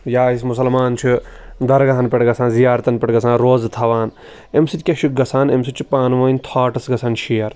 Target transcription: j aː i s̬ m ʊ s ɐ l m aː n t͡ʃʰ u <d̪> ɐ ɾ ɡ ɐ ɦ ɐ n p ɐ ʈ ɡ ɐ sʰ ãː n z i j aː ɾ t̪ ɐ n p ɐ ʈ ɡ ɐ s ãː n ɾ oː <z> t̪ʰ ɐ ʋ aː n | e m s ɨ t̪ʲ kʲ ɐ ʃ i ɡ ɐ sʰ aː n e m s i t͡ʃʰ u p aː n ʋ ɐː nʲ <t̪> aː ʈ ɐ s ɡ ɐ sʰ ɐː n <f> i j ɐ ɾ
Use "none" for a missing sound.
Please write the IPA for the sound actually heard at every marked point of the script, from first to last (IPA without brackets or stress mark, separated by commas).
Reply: d̪, z, t̪ʰ, ʃ